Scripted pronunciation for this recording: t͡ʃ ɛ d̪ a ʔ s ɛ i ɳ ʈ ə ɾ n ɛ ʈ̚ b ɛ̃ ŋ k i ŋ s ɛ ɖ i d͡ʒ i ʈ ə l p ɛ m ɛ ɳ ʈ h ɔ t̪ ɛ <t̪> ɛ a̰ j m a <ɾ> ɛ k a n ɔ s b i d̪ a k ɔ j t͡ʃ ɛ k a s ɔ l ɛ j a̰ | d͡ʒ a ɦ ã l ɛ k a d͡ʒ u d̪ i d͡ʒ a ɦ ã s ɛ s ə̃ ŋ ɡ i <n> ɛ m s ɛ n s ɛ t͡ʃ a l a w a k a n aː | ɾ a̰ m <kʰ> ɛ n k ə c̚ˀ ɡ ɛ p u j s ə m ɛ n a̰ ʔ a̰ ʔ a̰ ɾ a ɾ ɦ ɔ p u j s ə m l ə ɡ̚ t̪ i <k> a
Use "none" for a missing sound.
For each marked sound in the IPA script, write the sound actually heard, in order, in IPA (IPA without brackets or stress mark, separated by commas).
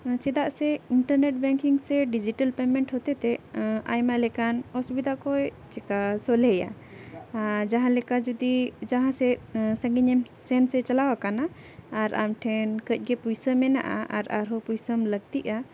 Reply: t̪, l, ɲ, ʈʰ, ʔ